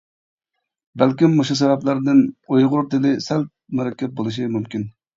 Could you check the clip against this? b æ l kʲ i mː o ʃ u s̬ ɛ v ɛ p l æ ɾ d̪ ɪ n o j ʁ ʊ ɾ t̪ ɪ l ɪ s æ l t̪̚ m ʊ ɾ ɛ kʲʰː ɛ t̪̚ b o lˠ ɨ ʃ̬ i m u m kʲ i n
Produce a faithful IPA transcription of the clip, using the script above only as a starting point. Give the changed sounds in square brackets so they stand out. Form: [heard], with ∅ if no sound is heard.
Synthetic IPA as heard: b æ l kʲ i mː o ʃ u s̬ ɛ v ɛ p l æ ɾ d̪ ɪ n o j ʁ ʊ ɾ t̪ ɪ l ɪ s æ l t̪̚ m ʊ ɾ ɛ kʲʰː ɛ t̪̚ b o lˠ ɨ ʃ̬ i m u m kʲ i n